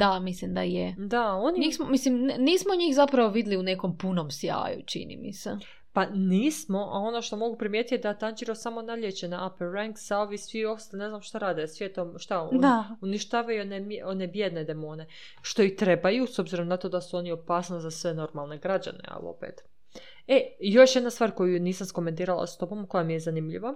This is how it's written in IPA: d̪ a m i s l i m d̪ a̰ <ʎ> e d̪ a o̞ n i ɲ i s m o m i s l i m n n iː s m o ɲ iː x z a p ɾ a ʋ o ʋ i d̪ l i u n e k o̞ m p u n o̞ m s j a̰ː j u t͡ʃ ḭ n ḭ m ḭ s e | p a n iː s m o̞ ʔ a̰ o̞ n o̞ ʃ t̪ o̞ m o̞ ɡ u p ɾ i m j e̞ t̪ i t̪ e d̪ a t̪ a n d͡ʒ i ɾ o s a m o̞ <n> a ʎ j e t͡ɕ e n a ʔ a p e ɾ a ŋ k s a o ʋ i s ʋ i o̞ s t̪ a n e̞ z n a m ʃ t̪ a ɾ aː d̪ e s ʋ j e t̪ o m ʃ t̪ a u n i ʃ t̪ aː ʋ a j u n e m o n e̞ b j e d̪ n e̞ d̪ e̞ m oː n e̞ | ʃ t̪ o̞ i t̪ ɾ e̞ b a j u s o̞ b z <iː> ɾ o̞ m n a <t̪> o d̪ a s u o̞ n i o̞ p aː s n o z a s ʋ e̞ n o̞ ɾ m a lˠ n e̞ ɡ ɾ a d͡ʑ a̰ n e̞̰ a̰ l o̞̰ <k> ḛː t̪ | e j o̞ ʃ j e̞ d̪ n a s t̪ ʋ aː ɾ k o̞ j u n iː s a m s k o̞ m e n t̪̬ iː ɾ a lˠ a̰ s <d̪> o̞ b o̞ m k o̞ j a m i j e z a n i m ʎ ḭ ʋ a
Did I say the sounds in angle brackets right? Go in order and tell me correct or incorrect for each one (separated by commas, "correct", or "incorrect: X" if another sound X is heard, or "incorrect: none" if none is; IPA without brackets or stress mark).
incorrect: j, correct, incorrect: i, correct, incorrect: p, incorrect: t̪